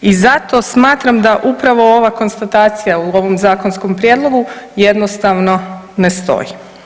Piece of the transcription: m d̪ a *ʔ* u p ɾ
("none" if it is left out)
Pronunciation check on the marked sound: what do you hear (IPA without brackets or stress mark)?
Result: ʔ